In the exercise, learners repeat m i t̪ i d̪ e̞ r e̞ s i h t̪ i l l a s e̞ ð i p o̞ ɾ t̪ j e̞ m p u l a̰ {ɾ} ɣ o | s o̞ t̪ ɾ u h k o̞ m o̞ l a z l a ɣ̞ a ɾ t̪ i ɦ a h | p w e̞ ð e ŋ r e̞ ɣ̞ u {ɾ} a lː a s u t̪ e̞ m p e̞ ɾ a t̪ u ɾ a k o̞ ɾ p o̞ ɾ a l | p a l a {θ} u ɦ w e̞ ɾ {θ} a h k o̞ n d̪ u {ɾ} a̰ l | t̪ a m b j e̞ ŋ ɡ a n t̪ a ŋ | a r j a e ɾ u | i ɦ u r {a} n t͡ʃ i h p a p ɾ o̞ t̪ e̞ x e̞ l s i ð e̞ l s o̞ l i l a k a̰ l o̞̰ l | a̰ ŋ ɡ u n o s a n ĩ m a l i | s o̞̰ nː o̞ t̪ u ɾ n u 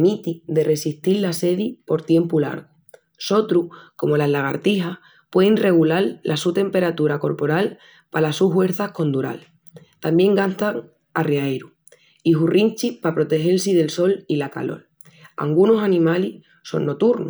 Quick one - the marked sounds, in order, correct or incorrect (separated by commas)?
correct, incorrect, incorrect, correct, correct, incorrect